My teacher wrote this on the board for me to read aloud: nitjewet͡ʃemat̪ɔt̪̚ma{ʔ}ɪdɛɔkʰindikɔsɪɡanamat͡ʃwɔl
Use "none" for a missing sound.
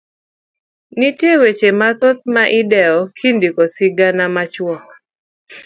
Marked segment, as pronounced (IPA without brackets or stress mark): ʔ